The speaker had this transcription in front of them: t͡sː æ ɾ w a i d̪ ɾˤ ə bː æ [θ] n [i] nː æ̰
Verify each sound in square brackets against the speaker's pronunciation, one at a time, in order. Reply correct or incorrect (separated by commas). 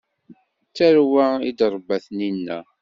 correct, correct